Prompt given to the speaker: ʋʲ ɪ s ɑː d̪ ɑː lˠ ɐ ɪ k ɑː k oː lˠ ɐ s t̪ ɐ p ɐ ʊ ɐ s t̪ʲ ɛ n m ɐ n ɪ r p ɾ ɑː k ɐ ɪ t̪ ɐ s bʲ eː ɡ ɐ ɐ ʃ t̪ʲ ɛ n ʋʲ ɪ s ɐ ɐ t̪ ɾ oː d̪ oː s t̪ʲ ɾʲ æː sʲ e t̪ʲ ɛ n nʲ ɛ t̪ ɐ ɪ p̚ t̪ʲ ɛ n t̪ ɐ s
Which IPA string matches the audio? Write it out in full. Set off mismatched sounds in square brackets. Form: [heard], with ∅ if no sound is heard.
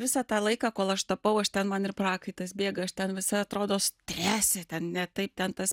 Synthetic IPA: ʋʲ ɪ s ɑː [t̪] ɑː lˠ ɐ ɪ k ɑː k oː lˠ ɐ [ʃ] t̪ ɐ p ɐ ʊ ɐ [ʃ] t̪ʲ ɛ n m ɐ n ɪ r p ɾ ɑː k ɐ ɪ t̪ ɐ s bʲ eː ɡ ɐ ɐ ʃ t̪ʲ ɛ n ʋʲ ɪ s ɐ ɐ t̪ ɾ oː d̪ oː s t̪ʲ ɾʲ æː sʲ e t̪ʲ ɛ n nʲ ɛ t̪ ɐ ɪ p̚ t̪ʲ ɛ n t̪ ɐ s